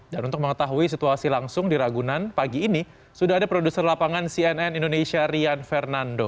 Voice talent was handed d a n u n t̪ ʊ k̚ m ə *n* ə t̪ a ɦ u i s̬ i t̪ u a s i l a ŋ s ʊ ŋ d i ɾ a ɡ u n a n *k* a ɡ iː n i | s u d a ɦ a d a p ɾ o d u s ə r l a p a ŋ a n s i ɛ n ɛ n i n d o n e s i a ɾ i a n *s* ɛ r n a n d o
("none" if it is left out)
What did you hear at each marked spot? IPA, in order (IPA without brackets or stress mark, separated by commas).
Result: ŋ, p, f